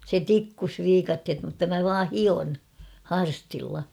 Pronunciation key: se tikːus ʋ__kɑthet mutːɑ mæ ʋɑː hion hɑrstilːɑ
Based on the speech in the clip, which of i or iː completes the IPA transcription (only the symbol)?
iː